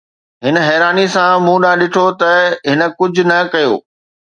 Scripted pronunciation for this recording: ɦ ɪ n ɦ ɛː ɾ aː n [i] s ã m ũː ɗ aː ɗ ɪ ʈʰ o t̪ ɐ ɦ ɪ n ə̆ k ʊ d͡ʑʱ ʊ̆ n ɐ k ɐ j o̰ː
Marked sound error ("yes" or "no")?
no